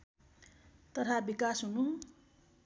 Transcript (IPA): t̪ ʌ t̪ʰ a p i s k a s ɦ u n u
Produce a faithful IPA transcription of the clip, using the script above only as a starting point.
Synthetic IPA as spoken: t̪ ʌ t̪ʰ a b i k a s ɦ u n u